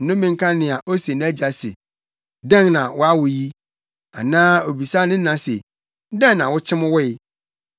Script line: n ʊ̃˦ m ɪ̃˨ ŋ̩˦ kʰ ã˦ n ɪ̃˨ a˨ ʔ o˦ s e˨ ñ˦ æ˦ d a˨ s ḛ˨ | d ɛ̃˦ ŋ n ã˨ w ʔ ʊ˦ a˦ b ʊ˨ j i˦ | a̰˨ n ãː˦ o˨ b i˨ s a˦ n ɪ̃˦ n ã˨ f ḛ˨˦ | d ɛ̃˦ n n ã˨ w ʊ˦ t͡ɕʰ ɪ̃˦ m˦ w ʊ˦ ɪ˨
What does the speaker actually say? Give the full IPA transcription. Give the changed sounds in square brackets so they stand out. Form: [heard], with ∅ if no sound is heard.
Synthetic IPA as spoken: n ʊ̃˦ m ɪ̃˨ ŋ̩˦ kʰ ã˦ n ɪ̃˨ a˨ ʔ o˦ s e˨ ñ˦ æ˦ [d͡ʑ] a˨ s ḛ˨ | d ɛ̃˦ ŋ n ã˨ w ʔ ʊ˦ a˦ [w] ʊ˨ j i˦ | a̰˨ n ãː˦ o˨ b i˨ s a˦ n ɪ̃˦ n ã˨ [s] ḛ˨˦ | d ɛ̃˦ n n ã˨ w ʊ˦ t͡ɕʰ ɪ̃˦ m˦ w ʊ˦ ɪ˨